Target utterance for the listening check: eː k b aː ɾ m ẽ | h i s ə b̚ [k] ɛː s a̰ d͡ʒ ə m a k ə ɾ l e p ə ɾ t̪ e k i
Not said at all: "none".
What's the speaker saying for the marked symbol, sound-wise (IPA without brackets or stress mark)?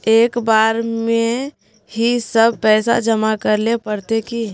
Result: p